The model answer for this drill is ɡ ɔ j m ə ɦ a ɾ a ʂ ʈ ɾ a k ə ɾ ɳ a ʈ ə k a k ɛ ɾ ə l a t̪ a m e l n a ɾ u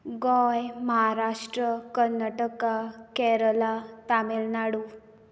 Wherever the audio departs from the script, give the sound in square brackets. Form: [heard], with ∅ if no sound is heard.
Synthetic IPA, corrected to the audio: ɡ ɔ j m ə ɦ a ɾ a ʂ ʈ ɾ [ə] k ə ɾ [n] a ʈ ə k a k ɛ ɾ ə l a t̪ a m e l n a [ɽ] u